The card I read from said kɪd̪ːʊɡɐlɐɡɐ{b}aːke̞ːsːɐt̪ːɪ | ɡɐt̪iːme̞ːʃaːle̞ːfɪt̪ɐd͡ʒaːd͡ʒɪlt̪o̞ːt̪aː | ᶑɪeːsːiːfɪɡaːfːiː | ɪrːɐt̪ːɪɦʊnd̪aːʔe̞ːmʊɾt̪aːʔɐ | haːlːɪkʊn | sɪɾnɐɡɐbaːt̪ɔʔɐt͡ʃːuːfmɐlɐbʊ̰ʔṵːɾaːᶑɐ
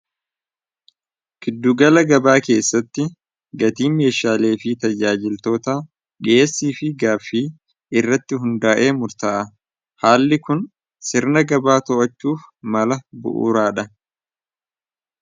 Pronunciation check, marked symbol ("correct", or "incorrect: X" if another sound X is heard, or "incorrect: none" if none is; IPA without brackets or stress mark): correct